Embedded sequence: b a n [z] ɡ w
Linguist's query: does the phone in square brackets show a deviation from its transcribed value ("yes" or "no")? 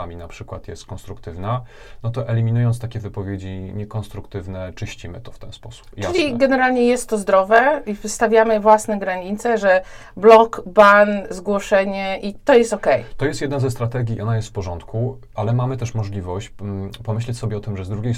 no